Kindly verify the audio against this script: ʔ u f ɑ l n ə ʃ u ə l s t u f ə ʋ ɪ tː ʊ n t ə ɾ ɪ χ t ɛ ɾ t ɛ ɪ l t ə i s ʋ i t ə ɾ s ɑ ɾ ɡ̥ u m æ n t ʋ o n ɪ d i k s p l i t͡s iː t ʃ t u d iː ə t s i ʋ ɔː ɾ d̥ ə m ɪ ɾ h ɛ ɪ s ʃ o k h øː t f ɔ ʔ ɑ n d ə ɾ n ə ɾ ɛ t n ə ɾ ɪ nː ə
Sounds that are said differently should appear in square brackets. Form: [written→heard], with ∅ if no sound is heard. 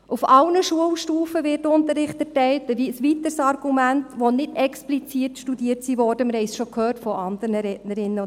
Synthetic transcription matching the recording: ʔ u f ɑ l n ə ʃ u ə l [s→ʃ] t [u→uː] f ə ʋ ɪ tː ʊ n t ə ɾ ɪ χ t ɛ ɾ t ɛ ɪ l t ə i s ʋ i t ə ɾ s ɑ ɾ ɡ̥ u m æ n t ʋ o n ɪ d [i→ɛ] k s p l i t͡s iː t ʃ t u d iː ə t s i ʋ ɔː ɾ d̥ ə m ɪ ɾ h ɛ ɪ s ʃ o k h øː t f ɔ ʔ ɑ n d ə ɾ n ə ɾ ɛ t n ə ɾ ɪ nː ə